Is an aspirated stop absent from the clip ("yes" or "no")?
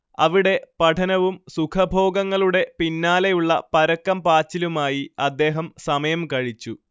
no